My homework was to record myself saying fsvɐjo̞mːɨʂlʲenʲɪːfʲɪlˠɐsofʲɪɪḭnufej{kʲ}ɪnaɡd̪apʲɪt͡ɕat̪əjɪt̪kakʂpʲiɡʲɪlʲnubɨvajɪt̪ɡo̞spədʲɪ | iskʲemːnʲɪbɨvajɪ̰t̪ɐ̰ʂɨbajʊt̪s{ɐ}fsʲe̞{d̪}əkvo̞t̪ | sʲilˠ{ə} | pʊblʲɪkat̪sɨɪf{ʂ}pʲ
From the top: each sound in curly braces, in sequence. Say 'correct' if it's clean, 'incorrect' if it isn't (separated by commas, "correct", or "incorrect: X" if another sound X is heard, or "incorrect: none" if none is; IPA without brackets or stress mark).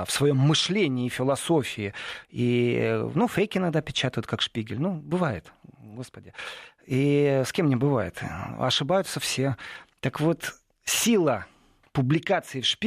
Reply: correct, incorrect: ə, incorrect: t̪, correct, correct